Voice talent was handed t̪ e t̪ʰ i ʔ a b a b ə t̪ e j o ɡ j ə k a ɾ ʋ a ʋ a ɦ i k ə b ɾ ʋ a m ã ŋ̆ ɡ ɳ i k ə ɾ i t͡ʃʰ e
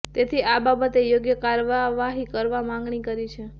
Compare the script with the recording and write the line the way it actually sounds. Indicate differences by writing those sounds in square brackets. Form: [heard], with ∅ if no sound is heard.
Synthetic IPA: t̪ e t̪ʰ i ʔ a b a b ə t̪ e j o ɡ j ə k a ɾ ʋ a ʋ a ɦ i k ə [∅] ɾ ʋ a m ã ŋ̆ ɡ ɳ i k ə ɾ i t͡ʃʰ e